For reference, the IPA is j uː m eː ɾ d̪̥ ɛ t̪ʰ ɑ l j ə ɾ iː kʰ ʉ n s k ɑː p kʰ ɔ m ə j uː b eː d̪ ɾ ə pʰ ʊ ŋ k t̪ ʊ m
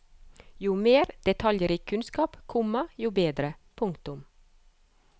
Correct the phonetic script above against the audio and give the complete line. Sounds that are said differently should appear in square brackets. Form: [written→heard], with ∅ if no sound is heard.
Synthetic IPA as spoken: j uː m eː ɾ d̪̥ ɛ t̪ʰ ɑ l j ə ɾ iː kʰ ʉ n s k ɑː p kʰ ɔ m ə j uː b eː d̪ ɾ ə pʰ ʊ ŋ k t̪ ʊ m

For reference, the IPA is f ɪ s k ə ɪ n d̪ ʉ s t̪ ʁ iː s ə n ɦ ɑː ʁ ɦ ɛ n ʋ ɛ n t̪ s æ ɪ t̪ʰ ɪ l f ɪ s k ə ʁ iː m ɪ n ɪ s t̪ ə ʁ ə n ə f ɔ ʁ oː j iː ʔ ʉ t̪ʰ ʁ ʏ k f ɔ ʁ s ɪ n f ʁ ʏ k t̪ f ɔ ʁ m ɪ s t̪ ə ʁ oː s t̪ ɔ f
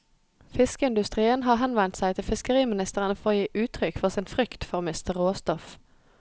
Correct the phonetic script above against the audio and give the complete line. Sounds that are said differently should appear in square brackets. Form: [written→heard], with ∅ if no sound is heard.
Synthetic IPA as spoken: f ɪ s k ə ɪ n d̪ ʉ s t̪ ʁ iː [s→∅] ə n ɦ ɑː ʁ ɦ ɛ n ʋ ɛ n t̪ s æ ɪ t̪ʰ ɪ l f ɪ s k ə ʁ iː m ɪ n ɪ s t̪ ə ʁ ə n ə f ɔ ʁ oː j iː ʔ [ʉ→ʉː] t̪ʰ ʁ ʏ k f ɔ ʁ s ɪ n f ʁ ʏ k t̪ f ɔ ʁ m ɪ s t̪ ə ʁ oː s t̪ ɔ f

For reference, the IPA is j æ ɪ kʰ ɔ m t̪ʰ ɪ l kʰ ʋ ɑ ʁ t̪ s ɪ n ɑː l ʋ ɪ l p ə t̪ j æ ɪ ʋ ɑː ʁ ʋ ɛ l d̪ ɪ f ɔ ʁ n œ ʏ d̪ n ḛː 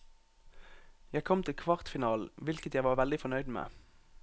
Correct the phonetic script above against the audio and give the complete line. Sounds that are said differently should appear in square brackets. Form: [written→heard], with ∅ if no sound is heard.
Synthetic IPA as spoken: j æ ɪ kʰ ɔ m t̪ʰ ɪ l kʰ ʋ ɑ ʁ t̪ [s→f] ɪ n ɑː l ʋ ɪ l [p→k] ə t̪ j æ ɪ ʋ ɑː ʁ ʋ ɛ l d̪ ɪ f ɔ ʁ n œ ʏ d̪ [n→m] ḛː

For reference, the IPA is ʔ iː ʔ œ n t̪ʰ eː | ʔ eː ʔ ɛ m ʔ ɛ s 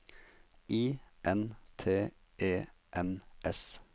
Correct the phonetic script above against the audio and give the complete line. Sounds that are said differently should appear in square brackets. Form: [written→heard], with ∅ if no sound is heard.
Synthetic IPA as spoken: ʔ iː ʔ [œ→ɛ] n t̪ʰ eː | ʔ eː ʔ ɛ [m→n] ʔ ɛ s

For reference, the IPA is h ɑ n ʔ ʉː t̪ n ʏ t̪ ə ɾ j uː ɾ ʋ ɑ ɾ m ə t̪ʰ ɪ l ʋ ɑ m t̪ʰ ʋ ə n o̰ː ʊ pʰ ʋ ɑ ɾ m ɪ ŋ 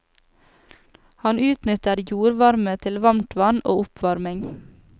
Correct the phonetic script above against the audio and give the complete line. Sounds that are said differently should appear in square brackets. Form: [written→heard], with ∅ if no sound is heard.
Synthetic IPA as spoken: h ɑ n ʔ ʉː t̪ n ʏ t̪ ə ɾ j uː ɾ ʋ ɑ ɾ m ə t̪ʰ ɪ l ʋ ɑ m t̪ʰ ʋ [ə→ɑ] n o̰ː ʊ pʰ ʋ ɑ ɾ m ɪ ŋ

